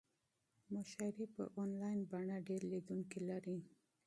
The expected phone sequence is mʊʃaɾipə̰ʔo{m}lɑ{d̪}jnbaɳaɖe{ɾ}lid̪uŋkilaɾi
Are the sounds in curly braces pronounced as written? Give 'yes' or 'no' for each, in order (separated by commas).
no, no, yes